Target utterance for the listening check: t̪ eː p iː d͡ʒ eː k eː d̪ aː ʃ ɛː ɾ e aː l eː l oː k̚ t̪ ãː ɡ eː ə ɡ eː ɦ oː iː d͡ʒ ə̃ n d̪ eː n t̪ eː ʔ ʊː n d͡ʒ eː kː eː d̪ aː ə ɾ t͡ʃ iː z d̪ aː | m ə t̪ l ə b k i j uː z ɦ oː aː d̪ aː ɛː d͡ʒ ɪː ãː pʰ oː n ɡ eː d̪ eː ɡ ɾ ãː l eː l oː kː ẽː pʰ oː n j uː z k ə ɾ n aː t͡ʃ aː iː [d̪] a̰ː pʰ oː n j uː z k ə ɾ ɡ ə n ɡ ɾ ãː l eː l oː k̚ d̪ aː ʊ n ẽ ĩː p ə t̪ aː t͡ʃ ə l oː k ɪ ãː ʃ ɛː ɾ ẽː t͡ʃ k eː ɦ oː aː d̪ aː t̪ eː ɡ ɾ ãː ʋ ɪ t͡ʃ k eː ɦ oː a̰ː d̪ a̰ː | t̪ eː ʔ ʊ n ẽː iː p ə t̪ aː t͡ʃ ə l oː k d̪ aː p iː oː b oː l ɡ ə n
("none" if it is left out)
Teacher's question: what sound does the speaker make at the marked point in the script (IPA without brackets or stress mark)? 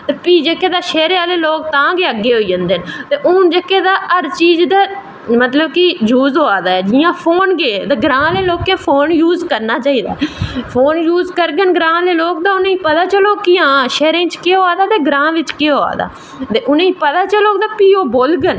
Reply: d̪